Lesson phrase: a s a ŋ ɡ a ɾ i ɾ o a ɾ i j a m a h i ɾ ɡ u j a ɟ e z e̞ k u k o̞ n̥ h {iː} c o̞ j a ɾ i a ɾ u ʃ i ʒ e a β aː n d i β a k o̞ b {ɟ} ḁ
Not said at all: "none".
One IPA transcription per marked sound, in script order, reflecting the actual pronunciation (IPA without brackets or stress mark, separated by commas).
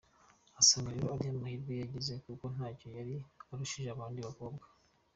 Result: aː, ɡ